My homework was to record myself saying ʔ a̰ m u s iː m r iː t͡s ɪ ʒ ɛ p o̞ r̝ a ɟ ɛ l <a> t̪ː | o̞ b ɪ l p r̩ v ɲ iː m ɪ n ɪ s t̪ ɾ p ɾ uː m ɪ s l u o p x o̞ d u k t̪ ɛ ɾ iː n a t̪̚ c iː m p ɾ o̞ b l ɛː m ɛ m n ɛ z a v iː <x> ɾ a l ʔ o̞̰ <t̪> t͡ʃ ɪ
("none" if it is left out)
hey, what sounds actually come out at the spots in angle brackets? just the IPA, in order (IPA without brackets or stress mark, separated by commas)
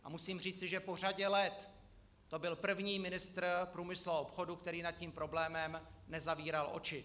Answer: ɛ, none, none